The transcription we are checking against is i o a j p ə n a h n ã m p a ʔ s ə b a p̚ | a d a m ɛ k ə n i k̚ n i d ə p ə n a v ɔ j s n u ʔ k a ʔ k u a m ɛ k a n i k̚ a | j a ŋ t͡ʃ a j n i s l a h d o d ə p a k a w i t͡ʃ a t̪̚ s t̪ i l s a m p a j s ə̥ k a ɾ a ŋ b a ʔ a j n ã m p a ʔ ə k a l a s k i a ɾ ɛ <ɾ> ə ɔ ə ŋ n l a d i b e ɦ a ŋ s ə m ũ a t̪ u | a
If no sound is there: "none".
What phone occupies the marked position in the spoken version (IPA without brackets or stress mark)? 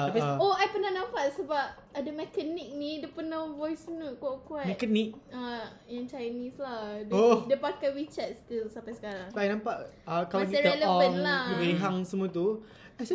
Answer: l